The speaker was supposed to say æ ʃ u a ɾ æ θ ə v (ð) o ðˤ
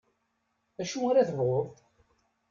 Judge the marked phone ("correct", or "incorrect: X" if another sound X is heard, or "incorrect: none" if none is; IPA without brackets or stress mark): incorrect: ʁ